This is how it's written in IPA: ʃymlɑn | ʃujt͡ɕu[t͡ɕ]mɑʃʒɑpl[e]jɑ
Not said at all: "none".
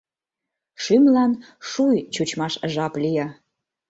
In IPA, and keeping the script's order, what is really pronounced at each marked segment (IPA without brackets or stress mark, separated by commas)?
t͡ɕ, i